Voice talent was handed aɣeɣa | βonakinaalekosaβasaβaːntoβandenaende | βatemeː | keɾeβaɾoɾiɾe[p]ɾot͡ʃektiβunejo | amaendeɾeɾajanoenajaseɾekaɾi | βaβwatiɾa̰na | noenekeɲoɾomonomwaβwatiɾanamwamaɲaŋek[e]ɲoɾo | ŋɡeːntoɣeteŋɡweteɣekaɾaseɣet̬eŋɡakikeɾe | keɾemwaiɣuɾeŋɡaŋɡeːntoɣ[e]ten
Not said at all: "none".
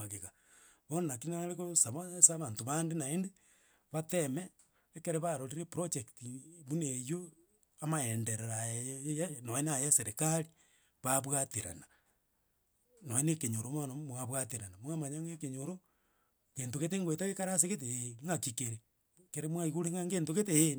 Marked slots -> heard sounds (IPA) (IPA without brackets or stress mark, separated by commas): p, e, e